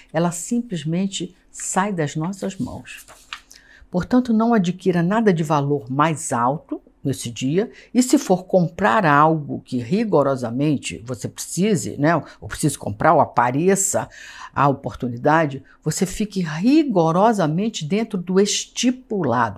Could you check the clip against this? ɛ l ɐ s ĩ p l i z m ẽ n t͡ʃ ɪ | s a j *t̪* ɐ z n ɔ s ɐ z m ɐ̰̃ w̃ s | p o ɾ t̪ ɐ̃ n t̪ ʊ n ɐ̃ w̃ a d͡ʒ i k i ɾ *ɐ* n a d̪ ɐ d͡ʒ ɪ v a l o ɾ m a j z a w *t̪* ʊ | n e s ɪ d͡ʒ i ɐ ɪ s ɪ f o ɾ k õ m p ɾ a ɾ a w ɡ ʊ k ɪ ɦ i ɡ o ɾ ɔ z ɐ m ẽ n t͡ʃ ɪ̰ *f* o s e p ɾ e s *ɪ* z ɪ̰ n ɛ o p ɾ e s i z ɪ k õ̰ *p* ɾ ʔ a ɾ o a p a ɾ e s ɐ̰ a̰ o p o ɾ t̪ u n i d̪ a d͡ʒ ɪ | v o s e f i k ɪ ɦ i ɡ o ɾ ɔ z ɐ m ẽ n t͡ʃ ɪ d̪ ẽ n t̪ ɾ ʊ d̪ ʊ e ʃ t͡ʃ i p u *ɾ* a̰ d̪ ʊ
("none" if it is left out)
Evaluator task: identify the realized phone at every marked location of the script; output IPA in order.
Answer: d̪, ɐ, t̪, v, i, p, l

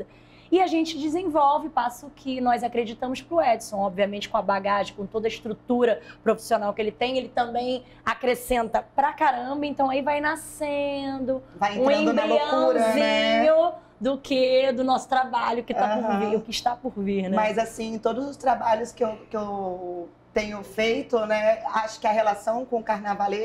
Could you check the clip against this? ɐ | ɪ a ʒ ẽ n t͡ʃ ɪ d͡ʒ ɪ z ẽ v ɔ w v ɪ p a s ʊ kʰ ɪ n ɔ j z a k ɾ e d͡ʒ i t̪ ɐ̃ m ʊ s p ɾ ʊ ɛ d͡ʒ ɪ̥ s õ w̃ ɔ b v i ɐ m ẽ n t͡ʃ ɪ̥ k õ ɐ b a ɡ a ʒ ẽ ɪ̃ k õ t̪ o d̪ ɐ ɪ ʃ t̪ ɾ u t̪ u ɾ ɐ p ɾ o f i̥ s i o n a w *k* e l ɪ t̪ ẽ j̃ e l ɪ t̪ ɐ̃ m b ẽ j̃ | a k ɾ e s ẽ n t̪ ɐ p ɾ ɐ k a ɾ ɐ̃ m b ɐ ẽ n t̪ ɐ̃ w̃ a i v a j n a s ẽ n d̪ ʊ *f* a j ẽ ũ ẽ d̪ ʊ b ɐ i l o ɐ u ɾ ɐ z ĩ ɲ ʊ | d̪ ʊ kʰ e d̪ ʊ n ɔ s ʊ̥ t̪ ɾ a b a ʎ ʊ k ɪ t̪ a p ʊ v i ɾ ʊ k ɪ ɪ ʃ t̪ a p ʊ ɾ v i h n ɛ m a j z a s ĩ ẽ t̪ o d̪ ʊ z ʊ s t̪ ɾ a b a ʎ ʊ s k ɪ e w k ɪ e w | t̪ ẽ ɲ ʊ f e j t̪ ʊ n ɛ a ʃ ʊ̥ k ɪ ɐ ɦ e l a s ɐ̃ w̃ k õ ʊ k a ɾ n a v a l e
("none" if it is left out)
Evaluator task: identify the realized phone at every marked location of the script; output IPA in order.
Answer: k, v

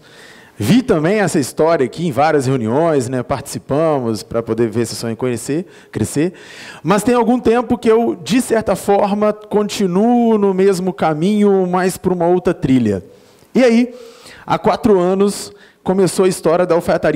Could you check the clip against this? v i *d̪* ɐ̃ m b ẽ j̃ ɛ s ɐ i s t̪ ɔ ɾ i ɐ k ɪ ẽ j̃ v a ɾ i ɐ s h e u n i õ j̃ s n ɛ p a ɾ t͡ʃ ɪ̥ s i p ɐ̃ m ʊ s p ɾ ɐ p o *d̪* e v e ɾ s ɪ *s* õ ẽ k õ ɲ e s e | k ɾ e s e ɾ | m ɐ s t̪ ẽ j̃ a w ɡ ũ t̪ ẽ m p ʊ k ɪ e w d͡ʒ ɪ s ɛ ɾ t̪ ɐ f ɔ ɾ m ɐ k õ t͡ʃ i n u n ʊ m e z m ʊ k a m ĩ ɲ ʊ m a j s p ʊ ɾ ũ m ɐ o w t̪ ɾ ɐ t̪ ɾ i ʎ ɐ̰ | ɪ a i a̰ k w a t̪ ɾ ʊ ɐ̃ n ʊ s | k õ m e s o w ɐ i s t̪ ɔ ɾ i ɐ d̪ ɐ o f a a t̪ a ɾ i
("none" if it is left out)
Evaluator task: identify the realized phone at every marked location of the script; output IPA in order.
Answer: t̪, d̪, s

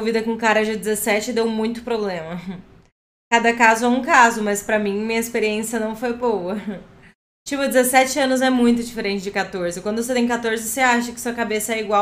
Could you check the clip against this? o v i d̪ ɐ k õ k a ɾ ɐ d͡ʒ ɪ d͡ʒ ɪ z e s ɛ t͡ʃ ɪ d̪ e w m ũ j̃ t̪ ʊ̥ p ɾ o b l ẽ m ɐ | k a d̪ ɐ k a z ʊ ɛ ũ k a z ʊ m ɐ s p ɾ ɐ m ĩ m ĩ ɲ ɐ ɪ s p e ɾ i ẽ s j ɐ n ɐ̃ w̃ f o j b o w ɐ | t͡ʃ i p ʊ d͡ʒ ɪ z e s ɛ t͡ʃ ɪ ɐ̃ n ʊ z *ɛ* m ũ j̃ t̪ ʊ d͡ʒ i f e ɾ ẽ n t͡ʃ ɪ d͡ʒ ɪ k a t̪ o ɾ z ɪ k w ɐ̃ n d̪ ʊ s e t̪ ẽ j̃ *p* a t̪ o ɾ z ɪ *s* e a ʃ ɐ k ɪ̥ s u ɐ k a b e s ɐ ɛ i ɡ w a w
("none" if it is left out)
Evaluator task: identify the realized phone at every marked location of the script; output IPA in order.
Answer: ɛ, k, s

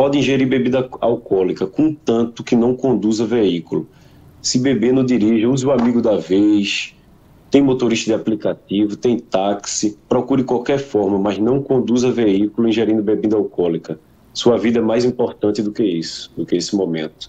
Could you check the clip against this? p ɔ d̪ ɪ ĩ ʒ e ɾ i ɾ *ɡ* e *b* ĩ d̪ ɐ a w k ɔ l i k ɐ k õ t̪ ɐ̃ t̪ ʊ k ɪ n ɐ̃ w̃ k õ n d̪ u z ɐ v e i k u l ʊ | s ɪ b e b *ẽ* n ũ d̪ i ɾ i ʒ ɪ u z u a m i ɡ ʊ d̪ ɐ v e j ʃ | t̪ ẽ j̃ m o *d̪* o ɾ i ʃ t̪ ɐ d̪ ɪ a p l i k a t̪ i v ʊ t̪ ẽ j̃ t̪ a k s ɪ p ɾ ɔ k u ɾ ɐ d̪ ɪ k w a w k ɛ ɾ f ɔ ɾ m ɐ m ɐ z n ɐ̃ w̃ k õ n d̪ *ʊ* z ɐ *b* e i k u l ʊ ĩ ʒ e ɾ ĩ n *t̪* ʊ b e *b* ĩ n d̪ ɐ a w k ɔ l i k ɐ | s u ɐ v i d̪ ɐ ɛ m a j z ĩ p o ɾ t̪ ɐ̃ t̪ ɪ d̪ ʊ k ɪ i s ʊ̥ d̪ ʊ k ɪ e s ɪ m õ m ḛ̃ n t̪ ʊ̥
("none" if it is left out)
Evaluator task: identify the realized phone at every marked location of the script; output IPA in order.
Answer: b, b, e, t̪, u, v, d̪, b

